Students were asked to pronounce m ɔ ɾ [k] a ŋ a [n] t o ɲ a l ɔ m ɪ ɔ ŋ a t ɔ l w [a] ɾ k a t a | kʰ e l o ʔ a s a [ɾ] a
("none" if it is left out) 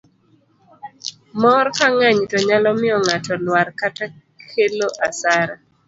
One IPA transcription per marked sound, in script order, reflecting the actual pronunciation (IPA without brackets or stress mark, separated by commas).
k, ɲ, a, ɾ